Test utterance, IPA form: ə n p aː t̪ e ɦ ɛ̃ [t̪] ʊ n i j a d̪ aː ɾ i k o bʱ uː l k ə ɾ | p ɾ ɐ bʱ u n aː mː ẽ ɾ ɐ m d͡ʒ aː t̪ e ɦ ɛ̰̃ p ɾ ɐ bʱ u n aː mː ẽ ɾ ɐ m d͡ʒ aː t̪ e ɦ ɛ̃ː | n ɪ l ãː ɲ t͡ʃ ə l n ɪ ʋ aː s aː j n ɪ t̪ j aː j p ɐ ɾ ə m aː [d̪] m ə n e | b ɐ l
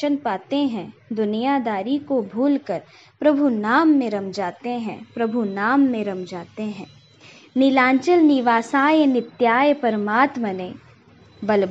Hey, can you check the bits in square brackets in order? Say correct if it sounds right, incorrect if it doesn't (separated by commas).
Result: incorrect, incorrect